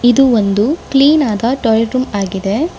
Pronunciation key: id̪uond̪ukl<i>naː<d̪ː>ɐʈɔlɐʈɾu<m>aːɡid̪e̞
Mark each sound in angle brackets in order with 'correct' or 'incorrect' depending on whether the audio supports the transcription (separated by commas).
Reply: incorrect, incorrect, correct